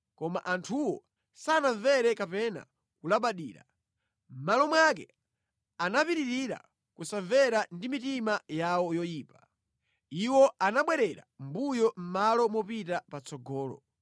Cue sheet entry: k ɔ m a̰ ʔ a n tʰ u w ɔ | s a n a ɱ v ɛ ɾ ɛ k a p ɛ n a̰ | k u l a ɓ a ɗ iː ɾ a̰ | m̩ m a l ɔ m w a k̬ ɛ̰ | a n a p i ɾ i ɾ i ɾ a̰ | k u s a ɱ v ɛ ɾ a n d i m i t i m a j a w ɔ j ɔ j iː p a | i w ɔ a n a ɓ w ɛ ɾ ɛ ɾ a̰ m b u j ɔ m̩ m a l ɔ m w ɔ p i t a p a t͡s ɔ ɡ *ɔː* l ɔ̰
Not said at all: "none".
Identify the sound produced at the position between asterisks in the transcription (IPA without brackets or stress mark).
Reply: ɔː